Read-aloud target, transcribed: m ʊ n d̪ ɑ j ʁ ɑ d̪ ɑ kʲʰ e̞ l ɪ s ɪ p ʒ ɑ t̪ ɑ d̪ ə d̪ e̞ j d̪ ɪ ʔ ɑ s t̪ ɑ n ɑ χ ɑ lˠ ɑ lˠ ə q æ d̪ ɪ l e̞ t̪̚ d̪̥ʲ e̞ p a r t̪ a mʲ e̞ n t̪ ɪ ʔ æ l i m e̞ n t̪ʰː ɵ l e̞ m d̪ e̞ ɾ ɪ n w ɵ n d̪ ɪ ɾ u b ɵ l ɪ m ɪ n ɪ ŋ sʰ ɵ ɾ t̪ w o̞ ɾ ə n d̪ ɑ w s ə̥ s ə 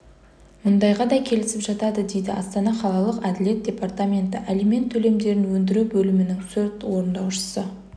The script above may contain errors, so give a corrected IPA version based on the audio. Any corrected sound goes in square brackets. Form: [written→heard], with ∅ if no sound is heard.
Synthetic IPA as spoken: m ʊ n d̪ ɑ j ʁ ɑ d̪ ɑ kʲʰ e̞ l ɪ s ɪ p ʒ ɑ t̪ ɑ d̪ ə d̪ e̞ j d̪ ɪ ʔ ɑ s t̪ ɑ n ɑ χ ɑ lˠ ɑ lˠ ə q æ d̪ ɪ l e̞ t̪̚ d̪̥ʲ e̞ p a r t̪ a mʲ e̞ n t̪ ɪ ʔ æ l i m e̞ n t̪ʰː ɵ l e̞ m d̪ e̞ ɾ ɪ n w ɵ n d̪ ɪ ɾ u b ɵ l ɪ m ɪ n ɪ ŋ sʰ ɵ ɾ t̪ w o̞ ɾ ə n d̪ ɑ w [s→ʃ] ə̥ s ə